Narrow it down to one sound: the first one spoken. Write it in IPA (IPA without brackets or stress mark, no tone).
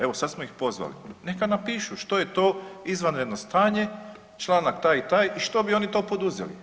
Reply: e̞